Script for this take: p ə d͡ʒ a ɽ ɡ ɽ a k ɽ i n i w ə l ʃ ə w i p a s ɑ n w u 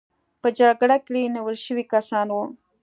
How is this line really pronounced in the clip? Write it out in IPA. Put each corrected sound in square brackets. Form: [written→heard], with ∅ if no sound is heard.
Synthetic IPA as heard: p ə d͡ʒ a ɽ ɡ ɽ a k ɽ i n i w ə l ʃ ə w i [p→k] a s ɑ n w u